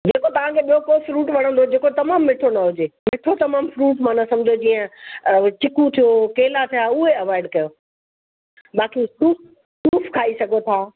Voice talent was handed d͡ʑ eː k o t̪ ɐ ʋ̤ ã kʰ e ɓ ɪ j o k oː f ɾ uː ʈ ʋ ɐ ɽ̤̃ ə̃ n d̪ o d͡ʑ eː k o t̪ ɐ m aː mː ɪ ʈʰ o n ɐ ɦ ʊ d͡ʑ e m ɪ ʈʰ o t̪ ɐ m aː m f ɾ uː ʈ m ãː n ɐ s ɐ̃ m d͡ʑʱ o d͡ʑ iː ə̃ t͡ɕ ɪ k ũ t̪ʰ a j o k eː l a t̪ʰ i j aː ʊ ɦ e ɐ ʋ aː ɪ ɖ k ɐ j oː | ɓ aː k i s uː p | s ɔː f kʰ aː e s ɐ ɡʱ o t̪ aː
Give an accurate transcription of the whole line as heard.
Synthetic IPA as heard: d͡ʑ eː k o t̪ ɐ ʋ̤ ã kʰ e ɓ i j o k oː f ɾ uː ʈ ʋ ɐ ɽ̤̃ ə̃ n d̪ o d͡ʑ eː k o t̪ ɐ m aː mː ɪ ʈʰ o n ɐ ɦ ʊ d͡ʑ e m ɪ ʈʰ o t̪ ɐ m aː m f ɾ uː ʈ m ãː n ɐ s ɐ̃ m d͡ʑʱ o d͡ʑ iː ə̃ t͡ɕ ɪ k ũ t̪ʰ i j o k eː l a t̪ʰ i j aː ʊ ɦ e ɐ ʋ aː ɪ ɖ k ɐ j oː | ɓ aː k i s uː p | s uː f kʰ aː i s ɐ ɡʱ o t̪ʰ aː